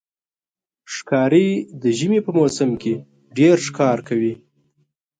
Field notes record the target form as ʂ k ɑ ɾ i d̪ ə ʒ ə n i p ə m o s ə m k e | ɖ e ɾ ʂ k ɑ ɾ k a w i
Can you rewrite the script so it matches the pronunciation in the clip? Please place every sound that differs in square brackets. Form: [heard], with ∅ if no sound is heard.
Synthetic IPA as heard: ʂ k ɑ ɾ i d̪ ə ʒ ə [m] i p ə m o s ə m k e | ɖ e ɾ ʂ k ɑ ɾ k a w i